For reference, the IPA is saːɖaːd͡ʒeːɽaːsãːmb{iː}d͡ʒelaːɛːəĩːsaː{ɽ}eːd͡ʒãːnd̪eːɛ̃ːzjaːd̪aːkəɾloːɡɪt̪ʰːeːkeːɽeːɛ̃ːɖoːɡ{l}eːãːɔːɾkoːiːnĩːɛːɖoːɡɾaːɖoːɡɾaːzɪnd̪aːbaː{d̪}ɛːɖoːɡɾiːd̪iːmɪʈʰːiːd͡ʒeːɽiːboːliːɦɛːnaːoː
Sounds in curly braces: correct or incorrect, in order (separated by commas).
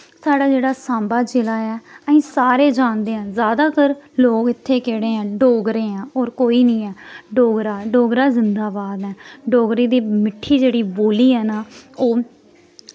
incorrect, incorrect, incorrect, correct